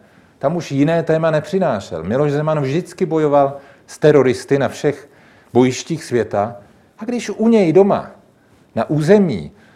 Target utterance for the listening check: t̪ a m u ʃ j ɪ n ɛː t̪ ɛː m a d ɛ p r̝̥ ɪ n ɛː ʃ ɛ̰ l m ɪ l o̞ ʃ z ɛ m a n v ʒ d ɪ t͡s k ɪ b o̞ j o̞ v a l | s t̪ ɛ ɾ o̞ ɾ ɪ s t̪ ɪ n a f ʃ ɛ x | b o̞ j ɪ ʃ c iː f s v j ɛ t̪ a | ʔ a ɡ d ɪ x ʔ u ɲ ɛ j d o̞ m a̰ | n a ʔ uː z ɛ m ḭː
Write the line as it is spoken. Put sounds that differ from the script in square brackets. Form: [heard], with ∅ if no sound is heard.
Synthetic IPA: t̪ a m u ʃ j ɪ n ɛː t̪ ɛː m a [n] ɛ p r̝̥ ɪ n [aː] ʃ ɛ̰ l m ɪ l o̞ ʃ z ɛ m a n v ʒ d ɪ t͡s k ɪ b o̞ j o̞ v a l | s t̪ ɛ ɾ o̞ ɾ ɪ s t̪ ɪ n a f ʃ ɛ x | b o̞ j ɪ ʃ c iː [x] s v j ɛ t̪ a | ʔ a ɡ d ɪ [ʃ] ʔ u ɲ ɛ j d o̞ m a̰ | n a ʔ uː z ɛ m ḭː